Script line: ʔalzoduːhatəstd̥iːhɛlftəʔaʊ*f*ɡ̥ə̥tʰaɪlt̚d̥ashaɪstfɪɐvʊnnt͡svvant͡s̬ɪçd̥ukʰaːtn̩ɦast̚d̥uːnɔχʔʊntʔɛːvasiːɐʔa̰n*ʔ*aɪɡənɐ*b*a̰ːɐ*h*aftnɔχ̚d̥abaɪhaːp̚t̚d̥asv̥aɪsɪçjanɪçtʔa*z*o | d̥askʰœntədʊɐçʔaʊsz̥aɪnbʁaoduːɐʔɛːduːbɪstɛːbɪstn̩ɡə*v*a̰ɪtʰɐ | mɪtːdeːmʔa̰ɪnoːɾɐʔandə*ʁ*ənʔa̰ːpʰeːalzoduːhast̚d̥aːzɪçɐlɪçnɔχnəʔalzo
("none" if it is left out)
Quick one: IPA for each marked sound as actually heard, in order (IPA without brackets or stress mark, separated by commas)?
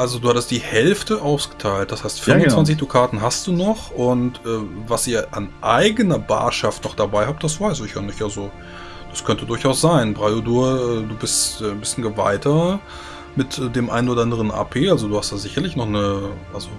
s, ʔ, b, ʃ, z, v, ʁ